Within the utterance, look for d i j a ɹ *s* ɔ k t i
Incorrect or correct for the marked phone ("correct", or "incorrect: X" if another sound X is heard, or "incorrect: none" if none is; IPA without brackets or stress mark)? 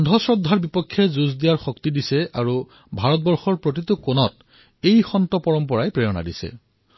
incorrect: x